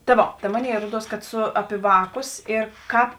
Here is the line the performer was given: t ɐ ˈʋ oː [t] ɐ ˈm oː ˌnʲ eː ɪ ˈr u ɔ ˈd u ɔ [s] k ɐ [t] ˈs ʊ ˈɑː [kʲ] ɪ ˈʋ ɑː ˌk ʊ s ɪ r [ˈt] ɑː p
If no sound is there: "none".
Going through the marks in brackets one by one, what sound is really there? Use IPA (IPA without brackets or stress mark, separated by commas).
t, s, t, pʲ, k